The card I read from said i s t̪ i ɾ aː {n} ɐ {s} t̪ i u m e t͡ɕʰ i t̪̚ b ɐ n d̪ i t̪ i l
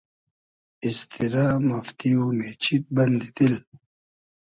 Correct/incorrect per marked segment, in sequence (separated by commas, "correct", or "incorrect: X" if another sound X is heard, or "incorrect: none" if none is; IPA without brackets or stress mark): incorrect: m, incorrect: f